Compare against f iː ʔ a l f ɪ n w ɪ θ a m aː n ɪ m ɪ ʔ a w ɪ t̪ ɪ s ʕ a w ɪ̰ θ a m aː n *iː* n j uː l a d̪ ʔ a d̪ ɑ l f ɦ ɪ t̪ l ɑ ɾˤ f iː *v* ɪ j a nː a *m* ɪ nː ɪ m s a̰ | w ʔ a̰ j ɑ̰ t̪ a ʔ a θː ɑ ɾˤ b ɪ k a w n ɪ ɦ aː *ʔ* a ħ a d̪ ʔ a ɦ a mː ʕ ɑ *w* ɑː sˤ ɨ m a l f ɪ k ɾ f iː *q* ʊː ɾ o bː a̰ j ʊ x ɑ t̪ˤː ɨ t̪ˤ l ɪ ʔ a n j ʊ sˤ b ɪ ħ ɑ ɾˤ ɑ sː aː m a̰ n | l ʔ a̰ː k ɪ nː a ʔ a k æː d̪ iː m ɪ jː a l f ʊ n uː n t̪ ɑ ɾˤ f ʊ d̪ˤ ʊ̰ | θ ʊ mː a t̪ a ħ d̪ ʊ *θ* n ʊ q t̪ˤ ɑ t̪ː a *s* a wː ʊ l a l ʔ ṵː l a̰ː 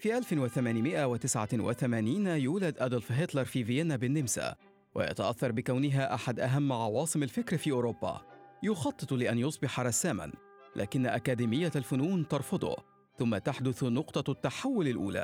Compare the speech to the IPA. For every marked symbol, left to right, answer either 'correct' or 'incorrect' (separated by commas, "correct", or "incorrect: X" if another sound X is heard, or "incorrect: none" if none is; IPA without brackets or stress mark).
correct, correct, incorrect: b, correct, correct, incorrect: ʔ, correct, incorrect: ħ